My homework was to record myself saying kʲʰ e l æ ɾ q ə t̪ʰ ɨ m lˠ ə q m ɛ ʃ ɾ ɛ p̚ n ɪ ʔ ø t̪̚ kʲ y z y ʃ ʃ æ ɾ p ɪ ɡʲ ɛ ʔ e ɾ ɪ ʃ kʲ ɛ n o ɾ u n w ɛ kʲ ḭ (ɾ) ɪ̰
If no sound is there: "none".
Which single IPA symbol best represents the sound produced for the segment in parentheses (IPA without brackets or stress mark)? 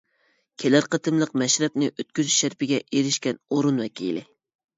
l